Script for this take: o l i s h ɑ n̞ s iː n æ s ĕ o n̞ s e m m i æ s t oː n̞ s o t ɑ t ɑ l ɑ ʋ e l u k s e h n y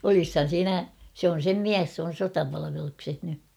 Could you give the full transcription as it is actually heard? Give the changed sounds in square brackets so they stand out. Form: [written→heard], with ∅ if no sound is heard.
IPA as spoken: o l i s h ɑ n̞ s iː n æ s ĕ o n̞ s e m m i æ s [t→s] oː n̞ s o t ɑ [t→p] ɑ l ɑ ʋ e l u k s e h n y